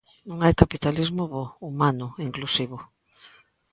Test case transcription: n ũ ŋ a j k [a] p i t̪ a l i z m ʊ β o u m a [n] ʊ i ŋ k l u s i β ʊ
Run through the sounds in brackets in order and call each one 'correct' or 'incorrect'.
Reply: correct, correct

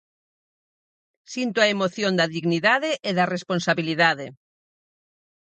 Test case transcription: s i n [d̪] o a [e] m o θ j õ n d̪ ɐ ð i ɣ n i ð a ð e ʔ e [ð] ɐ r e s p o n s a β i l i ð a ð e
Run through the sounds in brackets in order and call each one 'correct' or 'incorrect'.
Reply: incorrect, correct, correct

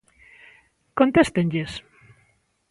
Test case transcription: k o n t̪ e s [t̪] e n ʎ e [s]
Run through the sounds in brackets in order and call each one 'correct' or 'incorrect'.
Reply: correct, correct

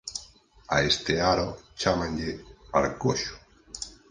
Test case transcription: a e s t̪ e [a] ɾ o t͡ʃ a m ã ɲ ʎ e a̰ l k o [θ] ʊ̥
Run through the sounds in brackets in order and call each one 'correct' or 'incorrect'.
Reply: correct, incorrect

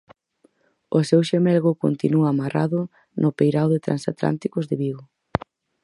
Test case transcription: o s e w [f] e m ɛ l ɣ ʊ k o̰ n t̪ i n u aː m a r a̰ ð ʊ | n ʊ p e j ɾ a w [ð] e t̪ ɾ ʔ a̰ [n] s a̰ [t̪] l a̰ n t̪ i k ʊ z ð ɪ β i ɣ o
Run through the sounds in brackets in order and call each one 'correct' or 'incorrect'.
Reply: incorrect, correct, correct, correct

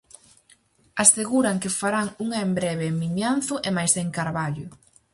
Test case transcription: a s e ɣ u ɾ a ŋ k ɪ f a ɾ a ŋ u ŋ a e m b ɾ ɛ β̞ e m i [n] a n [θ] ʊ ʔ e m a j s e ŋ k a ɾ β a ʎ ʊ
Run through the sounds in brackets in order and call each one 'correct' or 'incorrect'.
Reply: incorrect, correct

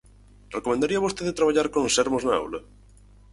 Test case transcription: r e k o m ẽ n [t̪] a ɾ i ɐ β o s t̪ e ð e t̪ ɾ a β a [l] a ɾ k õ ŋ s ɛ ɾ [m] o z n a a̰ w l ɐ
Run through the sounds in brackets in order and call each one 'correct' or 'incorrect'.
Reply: incorrect, incorrect, correct

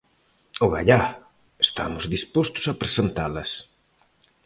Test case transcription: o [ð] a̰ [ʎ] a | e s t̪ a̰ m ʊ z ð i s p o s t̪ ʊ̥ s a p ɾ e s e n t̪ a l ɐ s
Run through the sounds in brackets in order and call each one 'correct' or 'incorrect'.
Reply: incorrect, correct

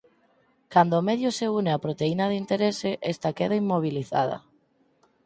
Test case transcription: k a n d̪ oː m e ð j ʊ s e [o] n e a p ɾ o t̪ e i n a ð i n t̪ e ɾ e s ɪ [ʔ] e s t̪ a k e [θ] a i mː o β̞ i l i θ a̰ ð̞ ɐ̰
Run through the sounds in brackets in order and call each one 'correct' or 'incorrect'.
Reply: incorrect, correct, incorrect

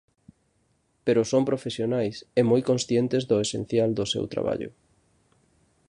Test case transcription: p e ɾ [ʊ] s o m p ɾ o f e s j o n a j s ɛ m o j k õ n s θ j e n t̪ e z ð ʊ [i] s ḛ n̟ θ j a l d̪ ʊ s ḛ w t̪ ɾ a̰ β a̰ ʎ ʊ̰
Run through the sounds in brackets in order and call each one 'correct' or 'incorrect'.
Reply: correct, incorrect

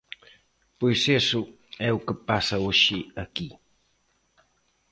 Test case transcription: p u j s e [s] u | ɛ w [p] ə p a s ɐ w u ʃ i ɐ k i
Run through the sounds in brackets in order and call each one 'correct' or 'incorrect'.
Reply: correct, incorrect

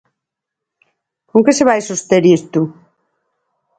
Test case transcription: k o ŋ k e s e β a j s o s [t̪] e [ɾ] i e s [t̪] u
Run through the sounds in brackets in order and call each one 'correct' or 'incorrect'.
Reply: correct, correct, correct

